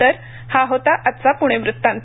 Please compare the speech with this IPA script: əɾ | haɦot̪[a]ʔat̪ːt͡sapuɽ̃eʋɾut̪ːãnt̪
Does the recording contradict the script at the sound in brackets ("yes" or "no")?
no